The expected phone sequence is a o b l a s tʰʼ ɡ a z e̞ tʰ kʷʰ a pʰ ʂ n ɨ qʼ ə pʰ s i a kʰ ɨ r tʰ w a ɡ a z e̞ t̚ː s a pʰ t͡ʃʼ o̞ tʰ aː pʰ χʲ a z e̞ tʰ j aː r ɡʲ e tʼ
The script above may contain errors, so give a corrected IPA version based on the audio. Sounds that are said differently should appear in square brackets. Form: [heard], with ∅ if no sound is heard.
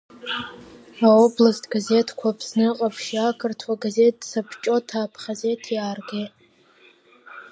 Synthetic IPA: a o b l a s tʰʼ ɡ a z e̞ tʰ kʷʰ a pʰ [s] n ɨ qʼ [a] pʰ [ʃ] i a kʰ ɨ r tʰ w a ɡ a z e̞ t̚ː s a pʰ t͡ʃʼ o̞ tʰ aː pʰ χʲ a z e̞ tʰ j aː r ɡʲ e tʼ